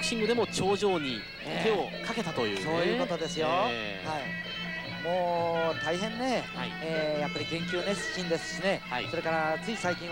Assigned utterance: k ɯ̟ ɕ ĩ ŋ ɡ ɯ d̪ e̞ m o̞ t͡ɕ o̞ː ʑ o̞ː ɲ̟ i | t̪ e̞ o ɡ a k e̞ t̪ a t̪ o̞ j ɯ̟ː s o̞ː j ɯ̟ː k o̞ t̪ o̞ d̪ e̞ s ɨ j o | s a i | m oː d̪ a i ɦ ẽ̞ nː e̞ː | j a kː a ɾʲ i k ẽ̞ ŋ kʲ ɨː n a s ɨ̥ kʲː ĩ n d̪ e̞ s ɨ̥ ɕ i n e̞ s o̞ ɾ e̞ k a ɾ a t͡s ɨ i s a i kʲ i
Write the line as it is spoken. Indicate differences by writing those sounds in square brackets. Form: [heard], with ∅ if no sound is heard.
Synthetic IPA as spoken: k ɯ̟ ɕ ĩ ŋ ɡ ɯ d̪ e̞ m o̞ t͡ɕ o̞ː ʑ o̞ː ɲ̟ i | t̪ e̞ o [k] a k e̞ t̪ a t̪ o̞ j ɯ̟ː s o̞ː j ɯ̟ː k o̞ t̪ o̞ d̪ e̞ s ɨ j o | [h] a i | m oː [t̪] a i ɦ ẽ̞ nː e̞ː | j a [pː] a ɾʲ i k ẽ̞ ŋ kʲ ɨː n [e] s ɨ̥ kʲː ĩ n d̪ e̞ s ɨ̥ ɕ i n e̞ s o̞ ɾ e̞ k a ɾ a t͡s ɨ i s a i kʲ [ĩ]

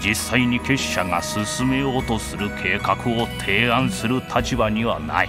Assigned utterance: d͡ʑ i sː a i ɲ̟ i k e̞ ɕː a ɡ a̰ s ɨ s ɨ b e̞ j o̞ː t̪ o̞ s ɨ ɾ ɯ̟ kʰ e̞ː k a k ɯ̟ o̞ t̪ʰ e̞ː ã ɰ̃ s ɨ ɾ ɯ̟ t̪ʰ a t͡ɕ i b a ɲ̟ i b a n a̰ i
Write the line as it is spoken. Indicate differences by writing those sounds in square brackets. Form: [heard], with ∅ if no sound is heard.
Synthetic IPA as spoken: d͡ʑ i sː a i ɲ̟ i k e̞ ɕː a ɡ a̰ s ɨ s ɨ [m] e̞ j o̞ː t̪ o̞ s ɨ ɾ ɯ̟ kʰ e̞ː k a k ɯ̟ o̞ t̪ʰ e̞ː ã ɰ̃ s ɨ ɾ ɯ̟ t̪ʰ a t͡ɕ i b a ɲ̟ i [β] a n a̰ i

